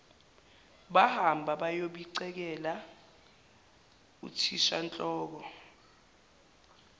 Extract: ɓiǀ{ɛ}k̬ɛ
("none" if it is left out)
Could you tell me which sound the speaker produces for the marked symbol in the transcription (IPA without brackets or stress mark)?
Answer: ɛ